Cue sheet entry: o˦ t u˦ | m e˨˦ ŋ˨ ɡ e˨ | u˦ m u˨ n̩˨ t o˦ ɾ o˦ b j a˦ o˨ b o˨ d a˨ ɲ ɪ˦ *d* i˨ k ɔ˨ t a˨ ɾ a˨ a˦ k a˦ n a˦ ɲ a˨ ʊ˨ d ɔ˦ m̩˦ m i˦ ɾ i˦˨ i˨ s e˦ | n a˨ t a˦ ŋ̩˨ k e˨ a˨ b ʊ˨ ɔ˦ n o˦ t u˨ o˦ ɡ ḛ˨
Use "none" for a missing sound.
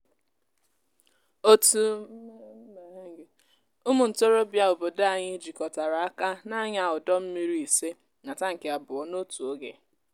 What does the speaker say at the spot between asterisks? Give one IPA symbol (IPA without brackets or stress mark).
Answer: d͡ʒ